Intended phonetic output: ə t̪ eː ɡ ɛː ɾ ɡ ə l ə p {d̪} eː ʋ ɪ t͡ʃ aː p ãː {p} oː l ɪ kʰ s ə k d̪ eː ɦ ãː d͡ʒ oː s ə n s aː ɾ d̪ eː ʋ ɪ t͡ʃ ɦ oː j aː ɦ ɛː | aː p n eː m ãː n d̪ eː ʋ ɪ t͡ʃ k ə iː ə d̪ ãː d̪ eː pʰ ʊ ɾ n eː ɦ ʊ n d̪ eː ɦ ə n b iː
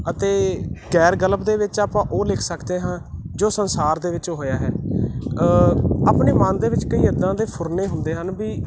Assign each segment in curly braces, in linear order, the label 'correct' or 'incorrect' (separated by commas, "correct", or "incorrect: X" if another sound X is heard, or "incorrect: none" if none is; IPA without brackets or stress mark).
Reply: correct, incorrect: ʔ